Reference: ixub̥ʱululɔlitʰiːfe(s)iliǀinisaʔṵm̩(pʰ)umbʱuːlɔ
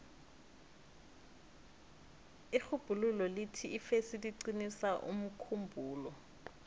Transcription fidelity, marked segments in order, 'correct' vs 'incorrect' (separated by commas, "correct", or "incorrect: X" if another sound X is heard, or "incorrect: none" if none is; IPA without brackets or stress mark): correct, incorrect: kʰ